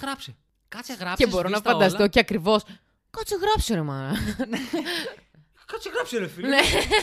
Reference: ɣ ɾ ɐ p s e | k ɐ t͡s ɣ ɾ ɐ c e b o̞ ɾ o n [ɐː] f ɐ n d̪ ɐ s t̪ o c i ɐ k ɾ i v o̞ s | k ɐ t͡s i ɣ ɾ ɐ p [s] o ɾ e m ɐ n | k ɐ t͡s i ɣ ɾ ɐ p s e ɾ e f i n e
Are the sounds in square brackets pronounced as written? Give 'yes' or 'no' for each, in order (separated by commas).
no, yes